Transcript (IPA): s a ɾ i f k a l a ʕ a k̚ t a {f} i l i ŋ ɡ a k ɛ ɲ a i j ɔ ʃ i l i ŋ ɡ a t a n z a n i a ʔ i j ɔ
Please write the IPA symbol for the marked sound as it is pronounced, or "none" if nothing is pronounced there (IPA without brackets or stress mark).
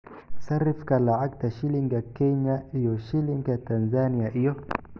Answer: ʃ